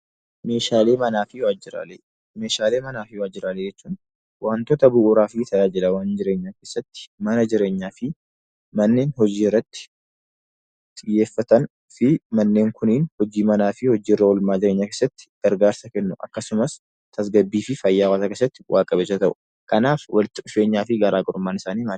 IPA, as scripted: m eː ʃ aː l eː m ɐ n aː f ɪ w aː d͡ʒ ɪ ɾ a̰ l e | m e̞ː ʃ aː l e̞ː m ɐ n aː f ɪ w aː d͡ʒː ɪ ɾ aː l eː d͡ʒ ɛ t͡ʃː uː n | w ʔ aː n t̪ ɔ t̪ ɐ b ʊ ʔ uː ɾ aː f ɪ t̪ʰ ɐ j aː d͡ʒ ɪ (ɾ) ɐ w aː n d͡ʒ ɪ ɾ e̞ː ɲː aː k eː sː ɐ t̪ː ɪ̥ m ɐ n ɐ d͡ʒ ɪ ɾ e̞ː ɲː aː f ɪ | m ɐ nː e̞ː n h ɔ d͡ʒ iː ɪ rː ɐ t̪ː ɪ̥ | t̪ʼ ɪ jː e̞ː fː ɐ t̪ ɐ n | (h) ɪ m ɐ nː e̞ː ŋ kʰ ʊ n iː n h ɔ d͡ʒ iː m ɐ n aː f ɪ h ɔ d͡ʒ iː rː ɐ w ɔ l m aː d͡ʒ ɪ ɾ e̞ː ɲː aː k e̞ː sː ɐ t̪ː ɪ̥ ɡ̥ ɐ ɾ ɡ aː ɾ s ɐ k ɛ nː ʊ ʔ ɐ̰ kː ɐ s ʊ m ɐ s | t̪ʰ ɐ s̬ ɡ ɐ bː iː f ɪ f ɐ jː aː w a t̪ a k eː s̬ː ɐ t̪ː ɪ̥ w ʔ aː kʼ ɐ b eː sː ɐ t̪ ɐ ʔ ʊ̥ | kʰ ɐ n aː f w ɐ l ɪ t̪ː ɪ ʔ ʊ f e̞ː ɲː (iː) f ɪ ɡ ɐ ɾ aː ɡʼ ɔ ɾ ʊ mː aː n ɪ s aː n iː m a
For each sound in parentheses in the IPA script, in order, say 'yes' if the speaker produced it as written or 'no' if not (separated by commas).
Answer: no, no, no